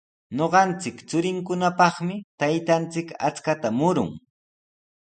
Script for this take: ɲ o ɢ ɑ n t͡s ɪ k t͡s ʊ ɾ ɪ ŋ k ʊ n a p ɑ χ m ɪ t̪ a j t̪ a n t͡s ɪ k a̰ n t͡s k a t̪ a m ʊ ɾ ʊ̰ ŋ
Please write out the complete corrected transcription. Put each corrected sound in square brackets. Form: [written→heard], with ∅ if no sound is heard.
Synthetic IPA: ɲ o ɢ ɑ n t͡s ɪ k t͡s ʊ ɾ ɪ ŋ k ʊ n a p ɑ χ m ɪ t̪ a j t̪ a n t͡s ɪ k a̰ [n→∅] t͡s k a t̪ a m ʊ ɾ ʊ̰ ŋ